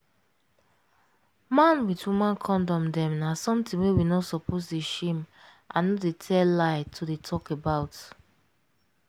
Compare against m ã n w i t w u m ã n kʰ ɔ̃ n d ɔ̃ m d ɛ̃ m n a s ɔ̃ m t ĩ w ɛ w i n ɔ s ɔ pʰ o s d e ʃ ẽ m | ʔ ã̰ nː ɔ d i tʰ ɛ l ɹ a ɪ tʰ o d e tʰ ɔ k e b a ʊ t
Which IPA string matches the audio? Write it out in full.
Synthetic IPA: m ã n w i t w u m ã n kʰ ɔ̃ n d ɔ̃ m d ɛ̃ m n a s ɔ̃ m t ĩ w e w i n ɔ s ɔ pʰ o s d e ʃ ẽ m | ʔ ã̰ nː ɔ d e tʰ ɛ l l a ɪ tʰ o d e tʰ ɔ k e b a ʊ t